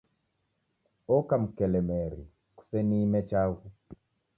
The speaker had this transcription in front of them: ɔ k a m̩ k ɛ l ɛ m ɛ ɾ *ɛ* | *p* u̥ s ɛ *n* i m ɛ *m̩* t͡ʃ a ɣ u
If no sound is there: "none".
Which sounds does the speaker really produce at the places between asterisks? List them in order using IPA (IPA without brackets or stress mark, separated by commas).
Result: i, k, n, none